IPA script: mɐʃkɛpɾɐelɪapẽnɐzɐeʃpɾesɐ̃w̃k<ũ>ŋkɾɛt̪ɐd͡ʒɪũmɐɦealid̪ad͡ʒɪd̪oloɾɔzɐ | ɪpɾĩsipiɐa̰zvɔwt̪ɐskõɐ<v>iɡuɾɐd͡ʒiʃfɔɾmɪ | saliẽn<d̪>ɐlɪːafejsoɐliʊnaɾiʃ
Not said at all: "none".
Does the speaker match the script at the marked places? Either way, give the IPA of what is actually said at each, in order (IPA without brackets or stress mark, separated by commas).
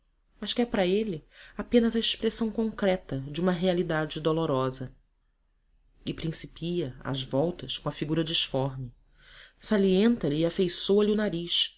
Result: õ, f, t̪